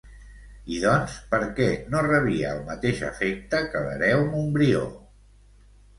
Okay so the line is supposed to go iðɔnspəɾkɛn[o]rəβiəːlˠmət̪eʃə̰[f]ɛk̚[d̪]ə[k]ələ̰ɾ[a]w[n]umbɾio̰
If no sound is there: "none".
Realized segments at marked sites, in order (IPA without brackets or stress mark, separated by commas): o, f, t̪, k, ɛ, m